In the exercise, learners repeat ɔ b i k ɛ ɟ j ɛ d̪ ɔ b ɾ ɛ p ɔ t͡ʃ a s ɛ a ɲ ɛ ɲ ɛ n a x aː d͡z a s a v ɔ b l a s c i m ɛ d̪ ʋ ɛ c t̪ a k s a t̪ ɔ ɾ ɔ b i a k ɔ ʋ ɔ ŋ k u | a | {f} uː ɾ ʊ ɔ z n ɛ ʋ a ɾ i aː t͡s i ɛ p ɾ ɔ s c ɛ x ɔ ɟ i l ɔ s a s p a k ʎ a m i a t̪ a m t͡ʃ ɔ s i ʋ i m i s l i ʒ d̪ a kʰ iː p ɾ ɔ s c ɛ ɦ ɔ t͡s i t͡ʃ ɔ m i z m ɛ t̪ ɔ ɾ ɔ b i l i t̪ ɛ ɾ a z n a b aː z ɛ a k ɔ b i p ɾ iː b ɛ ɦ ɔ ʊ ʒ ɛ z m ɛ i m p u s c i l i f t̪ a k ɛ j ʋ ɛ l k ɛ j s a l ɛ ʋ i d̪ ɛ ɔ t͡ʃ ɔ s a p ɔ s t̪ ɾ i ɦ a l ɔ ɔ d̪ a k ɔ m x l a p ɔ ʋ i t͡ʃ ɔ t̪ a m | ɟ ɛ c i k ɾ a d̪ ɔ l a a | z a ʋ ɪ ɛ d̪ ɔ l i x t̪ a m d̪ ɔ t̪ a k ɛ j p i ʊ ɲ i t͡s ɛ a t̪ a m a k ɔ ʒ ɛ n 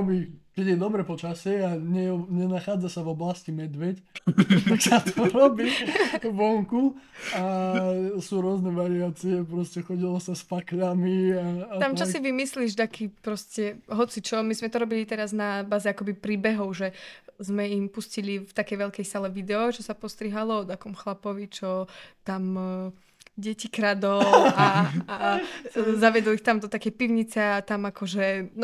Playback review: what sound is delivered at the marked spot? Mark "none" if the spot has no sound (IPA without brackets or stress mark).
s